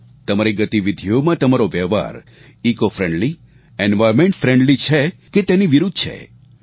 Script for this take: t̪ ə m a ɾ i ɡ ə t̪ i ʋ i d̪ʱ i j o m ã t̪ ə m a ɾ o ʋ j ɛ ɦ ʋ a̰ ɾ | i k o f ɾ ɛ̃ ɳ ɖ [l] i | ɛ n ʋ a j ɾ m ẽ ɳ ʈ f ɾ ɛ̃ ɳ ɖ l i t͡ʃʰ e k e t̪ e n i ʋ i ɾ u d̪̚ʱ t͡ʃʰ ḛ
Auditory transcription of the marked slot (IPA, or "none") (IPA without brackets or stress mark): l